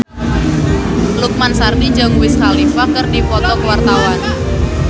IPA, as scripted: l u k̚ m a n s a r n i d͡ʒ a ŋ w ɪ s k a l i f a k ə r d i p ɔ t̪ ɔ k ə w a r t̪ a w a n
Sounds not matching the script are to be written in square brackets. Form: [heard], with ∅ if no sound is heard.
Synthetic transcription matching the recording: l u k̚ m a n s a r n i d͡ʒ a ŋ w ɪ s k a l i f a k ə r d i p ɔ t̪ ɔ k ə w a r t̪ a w a n